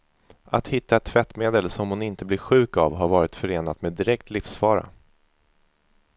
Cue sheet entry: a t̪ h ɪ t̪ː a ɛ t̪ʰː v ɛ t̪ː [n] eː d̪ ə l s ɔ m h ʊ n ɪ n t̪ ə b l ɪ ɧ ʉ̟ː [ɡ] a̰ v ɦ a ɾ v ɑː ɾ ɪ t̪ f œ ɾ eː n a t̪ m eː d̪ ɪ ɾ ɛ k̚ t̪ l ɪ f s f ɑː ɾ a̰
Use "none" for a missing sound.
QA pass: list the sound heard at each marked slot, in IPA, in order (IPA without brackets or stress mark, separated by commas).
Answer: m, k